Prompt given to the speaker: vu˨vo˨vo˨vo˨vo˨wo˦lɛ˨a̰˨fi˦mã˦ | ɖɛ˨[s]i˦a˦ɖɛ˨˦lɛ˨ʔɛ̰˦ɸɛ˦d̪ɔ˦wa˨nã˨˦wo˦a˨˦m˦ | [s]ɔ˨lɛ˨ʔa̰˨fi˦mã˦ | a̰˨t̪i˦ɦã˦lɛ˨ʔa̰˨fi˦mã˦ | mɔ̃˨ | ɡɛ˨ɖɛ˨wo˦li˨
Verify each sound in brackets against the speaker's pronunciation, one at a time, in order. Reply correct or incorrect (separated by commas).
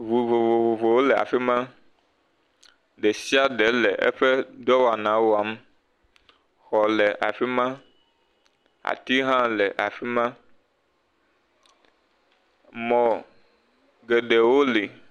correct, incorrect